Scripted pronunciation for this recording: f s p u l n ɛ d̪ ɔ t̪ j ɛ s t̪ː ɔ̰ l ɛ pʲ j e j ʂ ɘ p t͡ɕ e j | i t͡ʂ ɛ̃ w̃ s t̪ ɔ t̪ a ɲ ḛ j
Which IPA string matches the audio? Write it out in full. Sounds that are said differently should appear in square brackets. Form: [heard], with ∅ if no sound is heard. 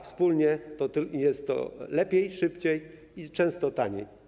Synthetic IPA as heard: f s p u l [ɲ] ɛ [t̪] ɔ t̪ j ɛ s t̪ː ɔ̰ l ɛ pʲ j e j ʂ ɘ p t͡ɕ e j | i t͡ʂ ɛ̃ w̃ s t̪ ɔ t̪ a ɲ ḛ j